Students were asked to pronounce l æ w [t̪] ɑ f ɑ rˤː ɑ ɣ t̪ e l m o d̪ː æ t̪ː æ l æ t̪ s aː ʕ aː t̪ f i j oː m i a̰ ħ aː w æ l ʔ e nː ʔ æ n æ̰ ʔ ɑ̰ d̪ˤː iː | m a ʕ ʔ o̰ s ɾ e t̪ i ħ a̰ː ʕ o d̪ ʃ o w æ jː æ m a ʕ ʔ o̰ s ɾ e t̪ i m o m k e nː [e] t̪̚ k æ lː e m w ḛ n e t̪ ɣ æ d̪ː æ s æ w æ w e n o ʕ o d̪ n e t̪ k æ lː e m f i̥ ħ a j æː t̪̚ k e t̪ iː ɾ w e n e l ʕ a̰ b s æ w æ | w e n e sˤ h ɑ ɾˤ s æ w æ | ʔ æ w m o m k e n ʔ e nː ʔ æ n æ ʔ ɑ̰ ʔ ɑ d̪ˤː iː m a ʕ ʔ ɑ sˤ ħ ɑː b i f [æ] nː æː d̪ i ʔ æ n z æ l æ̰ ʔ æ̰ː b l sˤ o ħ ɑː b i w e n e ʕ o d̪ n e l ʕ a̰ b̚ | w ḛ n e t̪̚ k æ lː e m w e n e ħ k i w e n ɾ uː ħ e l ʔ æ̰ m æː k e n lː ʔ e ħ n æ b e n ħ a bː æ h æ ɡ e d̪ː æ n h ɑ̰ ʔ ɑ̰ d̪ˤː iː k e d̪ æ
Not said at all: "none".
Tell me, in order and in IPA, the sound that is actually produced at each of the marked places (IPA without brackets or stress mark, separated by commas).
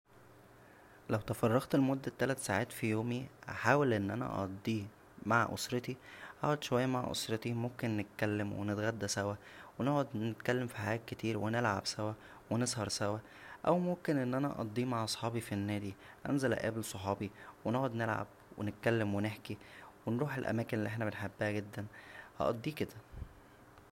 t̪, e, i